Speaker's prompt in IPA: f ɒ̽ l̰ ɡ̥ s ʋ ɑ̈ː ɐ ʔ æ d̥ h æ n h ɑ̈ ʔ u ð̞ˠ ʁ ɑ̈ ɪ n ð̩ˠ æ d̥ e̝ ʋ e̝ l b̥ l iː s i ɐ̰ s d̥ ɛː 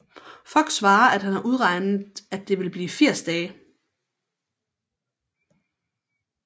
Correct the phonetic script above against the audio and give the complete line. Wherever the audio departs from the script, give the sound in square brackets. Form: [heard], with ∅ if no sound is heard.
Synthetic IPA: f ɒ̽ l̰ ɡ̥ s ʋ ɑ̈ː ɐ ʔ æ d̥ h æ n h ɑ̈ ʔ u ð̞ˠ ʁ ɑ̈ ɪ n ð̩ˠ æ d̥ e̝ ʋ e̝ l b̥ l iː [f] i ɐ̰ s d̥ ɛː